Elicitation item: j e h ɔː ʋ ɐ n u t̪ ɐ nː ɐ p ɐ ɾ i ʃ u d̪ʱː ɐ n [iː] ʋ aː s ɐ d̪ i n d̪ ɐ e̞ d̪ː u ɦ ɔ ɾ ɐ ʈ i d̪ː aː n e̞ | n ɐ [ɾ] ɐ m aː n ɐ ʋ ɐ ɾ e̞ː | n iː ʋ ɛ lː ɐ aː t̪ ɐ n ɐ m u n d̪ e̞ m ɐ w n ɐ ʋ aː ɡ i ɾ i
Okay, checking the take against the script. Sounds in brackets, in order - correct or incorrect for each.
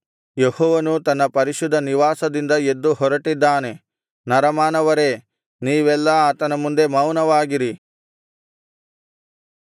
incorrect: i, correct

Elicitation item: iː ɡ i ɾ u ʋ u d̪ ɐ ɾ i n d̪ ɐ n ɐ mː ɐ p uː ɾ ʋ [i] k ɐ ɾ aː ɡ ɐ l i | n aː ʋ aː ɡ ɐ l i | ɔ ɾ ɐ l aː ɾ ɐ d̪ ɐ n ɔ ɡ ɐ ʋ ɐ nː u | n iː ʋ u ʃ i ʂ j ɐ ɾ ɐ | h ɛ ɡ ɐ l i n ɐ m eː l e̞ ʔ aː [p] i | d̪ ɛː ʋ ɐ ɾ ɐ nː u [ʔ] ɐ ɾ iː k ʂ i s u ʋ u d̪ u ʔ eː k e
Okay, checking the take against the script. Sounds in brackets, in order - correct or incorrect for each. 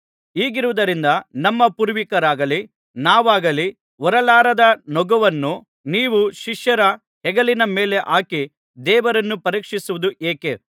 correct, incorrect: k, incorrect: p

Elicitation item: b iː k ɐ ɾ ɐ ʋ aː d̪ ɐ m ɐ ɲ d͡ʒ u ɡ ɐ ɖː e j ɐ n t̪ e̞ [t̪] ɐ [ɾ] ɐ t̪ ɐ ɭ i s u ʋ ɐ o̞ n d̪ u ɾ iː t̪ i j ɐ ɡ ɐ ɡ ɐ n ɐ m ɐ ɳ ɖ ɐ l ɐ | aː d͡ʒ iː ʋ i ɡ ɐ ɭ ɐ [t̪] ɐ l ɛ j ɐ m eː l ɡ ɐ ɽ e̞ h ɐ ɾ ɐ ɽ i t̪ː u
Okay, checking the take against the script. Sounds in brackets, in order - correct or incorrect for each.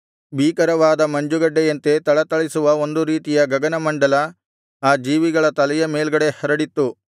correct, incorrect: ɭ, correct

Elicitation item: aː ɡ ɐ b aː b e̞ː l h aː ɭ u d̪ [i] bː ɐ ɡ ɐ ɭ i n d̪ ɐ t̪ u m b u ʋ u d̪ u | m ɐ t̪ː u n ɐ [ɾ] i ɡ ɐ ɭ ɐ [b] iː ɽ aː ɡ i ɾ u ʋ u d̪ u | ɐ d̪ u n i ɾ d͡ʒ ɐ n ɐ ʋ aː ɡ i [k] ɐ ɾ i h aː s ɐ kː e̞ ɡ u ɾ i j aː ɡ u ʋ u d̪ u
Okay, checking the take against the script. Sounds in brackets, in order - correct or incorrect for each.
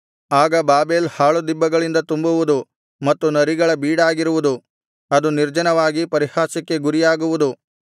correct, correct, correct, incorrect: p

